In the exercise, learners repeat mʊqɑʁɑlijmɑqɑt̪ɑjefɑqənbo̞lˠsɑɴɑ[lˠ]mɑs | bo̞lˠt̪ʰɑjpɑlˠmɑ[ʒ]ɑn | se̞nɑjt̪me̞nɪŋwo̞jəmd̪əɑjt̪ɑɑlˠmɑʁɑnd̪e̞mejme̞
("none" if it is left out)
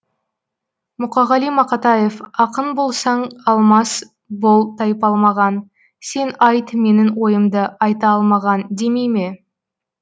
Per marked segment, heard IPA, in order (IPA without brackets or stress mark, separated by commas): lˠ, ʁ